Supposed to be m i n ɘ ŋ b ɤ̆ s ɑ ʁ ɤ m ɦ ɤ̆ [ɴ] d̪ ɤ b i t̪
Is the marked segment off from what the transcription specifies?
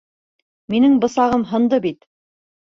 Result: yes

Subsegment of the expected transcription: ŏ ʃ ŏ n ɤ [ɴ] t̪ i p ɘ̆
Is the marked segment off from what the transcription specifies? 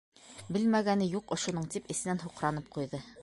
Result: no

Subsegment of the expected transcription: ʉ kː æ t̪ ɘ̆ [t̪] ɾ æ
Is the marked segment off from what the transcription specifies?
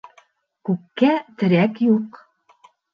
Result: yes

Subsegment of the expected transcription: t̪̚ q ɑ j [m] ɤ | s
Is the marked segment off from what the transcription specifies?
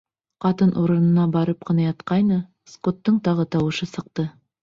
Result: yes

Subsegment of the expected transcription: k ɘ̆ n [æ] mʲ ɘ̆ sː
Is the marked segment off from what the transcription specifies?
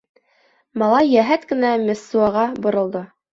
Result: no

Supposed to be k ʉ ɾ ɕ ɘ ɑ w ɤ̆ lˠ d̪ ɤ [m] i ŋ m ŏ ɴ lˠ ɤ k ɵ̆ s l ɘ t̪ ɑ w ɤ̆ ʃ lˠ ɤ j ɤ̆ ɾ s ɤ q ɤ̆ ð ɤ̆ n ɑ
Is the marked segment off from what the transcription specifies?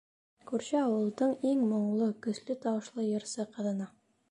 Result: yes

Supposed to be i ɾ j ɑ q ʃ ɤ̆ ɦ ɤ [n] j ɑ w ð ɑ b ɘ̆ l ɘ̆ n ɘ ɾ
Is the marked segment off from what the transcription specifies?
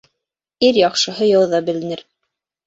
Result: yes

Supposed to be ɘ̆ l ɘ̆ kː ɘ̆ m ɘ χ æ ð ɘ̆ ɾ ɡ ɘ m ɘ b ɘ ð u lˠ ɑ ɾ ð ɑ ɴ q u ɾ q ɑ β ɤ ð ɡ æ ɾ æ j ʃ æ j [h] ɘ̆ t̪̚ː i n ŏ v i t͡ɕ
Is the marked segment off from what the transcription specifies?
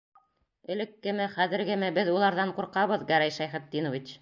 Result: yes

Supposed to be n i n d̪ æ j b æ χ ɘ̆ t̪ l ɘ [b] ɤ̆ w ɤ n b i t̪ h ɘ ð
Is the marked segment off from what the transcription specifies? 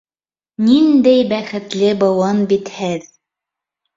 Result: no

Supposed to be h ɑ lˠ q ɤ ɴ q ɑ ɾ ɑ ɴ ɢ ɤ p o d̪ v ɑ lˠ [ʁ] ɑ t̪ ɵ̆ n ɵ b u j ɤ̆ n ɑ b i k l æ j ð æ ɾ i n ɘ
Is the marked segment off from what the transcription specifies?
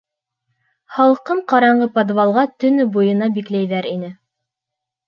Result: no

